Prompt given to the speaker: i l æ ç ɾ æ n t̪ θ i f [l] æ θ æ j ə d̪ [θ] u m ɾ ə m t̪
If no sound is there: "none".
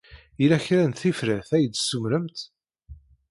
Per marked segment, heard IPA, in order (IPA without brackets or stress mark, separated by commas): ɾ, s